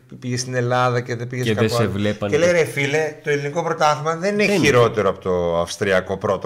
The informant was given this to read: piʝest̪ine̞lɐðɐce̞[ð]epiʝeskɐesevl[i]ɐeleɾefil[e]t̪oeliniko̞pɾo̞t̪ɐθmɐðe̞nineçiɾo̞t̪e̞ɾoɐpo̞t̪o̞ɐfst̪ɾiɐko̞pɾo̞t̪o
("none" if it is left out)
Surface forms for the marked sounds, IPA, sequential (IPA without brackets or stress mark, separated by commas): ð, e, e